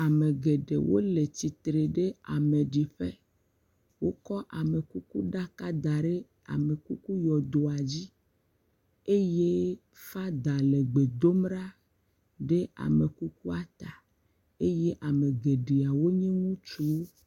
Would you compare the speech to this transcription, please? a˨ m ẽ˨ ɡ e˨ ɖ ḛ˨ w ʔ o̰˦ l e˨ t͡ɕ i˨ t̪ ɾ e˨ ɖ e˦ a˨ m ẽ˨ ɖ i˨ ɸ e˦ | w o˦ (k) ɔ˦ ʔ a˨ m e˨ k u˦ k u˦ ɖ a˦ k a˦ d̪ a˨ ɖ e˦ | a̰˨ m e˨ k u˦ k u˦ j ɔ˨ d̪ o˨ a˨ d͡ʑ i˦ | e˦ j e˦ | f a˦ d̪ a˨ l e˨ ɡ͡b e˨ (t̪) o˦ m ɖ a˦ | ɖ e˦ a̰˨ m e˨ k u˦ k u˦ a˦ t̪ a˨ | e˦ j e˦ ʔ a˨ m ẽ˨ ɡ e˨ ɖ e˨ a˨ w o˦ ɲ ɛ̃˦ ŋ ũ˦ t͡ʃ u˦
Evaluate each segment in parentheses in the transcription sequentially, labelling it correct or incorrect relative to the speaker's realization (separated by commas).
correct, incorrect